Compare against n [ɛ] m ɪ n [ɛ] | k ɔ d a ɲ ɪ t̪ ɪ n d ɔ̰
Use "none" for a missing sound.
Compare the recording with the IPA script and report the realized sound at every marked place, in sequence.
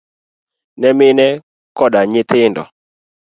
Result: ɛ, ɛ

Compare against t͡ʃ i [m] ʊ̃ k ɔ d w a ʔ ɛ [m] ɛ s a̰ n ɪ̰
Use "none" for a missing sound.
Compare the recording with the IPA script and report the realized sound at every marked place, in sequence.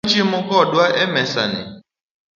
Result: m, m

